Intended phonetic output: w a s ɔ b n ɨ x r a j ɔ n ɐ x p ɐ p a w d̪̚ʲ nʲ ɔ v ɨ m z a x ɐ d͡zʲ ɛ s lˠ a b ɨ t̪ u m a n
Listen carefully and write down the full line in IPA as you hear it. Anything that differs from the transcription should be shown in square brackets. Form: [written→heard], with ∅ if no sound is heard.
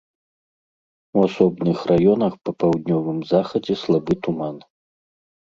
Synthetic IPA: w a s ɔ b n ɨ x r a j ɔ n ɐ x p ɐ p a w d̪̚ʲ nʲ ɔ v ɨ m z a x ɐ d͡zʲ ɛ s lˠ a b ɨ t̪ u m a n